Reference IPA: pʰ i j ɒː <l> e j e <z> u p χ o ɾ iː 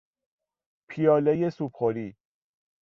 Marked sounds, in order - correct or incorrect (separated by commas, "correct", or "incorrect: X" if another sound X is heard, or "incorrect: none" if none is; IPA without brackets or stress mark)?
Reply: correct, incorrect: s